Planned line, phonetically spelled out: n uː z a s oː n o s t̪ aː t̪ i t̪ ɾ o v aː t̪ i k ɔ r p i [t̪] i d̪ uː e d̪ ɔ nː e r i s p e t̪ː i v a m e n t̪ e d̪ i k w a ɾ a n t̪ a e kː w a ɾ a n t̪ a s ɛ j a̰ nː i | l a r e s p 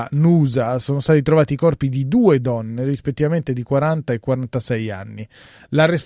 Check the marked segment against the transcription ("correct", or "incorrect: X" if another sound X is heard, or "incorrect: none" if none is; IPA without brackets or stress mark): incorrect: d̪